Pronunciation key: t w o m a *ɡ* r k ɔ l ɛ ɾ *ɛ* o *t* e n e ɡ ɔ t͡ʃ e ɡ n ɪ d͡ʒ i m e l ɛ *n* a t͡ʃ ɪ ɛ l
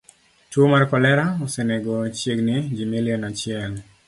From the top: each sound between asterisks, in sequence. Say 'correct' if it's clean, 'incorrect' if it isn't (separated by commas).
incorrect, incorrect, incorrect, correct